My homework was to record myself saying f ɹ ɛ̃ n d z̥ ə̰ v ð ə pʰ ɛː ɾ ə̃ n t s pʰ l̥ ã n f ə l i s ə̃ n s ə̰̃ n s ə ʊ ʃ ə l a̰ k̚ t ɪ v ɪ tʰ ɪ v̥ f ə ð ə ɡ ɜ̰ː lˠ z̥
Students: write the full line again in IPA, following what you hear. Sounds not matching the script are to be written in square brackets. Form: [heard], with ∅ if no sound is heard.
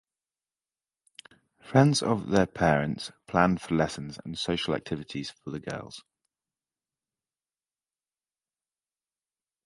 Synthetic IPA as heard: f ɹ ɛ̃ n d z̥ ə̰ v ð ə pʰ ɛː [ɹ] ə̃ n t s pʰ l̥ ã n f ə l [ɛ] s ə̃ n [z] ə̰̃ n s ə ʊ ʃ ə l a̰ k̚ [tʰ] ɪ v ɪ tʰ ɪ [z̥] f ə ð ə ɡ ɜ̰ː lˠ z̥